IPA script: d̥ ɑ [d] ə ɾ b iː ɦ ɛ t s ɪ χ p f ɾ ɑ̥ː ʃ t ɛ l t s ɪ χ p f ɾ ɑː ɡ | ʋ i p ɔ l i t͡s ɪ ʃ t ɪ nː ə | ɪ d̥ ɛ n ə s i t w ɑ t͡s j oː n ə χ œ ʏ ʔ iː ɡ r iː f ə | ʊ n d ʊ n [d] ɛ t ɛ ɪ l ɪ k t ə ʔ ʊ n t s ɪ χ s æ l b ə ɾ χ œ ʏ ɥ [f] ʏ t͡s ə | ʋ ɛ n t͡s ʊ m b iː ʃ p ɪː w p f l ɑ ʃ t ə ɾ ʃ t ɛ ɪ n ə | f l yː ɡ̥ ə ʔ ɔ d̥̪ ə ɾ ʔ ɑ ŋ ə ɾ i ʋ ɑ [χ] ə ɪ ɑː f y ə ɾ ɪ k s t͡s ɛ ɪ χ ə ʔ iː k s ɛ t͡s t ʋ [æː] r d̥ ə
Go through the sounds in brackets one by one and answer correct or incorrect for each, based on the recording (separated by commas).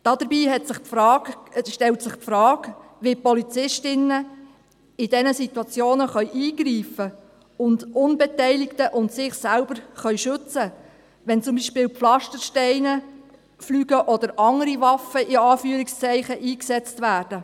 correct, incorrect, incorrect, incorrect, correct